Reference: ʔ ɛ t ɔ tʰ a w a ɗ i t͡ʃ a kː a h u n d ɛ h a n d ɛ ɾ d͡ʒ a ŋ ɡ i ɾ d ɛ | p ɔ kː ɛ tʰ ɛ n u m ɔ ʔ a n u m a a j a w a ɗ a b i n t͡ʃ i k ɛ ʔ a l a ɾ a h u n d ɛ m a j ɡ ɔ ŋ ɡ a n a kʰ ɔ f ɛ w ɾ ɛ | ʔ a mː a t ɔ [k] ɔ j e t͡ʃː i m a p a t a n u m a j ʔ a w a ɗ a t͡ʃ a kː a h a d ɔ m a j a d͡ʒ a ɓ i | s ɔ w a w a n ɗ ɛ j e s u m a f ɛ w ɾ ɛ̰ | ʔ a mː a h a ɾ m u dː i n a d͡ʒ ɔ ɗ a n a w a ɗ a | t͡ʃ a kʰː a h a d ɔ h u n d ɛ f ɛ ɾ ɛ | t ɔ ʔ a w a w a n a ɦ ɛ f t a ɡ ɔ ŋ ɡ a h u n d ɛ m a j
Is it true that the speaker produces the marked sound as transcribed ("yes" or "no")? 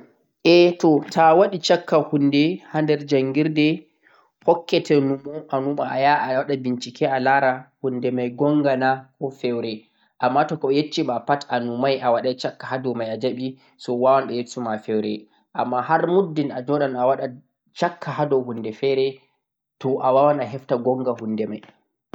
yes